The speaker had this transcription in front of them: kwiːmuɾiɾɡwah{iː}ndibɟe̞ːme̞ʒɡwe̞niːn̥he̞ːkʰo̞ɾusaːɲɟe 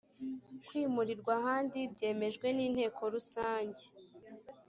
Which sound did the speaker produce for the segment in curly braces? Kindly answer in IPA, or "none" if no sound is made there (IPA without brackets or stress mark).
aː